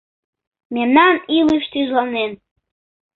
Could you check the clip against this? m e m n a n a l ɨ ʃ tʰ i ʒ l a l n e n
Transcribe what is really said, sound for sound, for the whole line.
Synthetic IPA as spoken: m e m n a n i l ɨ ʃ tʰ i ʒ l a n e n